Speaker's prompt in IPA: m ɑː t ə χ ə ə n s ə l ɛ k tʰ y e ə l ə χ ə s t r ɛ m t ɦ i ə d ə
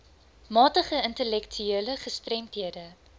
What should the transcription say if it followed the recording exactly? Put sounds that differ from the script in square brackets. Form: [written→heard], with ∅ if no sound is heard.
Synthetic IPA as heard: m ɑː t ə χ ə ə n [s→t] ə l ɛ k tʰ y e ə l ə χ ə s t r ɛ m t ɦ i ə d ə